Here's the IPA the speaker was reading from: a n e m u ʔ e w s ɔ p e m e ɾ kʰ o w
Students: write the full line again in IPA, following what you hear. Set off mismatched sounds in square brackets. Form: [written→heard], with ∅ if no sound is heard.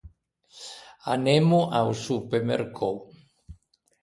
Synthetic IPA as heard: a n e m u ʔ [e→a] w s [ɔ→u] p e m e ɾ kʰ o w